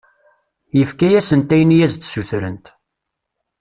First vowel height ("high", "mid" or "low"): mid